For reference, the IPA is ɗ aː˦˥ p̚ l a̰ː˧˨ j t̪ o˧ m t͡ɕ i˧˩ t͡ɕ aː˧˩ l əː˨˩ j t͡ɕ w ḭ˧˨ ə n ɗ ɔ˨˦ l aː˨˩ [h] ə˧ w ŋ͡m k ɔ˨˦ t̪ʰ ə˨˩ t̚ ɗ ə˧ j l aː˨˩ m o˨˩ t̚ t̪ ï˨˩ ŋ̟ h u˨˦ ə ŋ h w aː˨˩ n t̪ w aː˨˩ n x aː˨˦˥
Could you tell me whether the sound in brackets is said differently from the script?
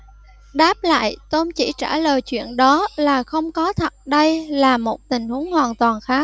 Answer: yes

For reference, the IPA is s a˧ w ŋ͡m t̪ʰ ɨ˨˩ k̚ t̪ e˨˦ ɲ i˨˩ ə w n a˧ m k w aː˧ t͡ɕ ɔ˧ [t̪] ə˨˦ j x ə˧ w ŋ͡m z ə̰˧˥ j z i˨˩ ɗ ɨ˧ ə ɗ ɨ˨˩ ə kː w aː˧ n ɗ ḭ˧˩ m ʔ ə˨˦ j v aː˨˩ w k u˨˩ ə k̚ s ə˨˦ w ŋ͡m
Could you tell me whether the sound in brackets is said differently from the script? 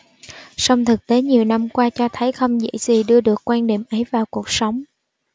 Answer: yes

